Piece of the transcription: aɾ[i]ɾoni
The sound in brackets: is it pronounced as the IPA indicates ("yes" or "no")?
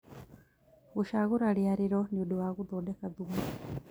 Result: yes